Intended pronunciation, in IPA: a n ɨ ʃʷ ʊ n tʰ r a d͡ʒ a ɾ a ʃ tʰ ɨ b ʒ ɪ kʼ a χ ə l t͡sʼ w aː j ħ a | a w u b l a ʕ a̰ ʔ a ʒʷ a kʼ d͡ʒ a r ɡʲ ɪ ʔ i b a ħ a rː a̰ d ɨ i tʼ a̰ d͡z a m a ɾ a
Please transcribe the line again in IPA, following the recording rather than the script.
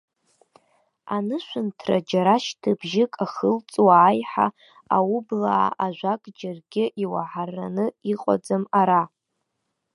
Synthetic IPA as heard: a n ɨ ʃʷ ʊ n tʰ r a d͡ʒ a ɾ a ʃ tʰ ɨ b ʒ ɪ kʼ a χ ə l t͡sʼ w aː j ħ a | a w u b l a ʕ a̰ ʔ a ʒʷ a kʼ d͡ʒ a r ɡʲ ɪ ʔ i w a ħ a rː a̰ n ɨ i qʼ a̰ d͡z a m a ɾ a